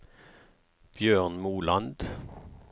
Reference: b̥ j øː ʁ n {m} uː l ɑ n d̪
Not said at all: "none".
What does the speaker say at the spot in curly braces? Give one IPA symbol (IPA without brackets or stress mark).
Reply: m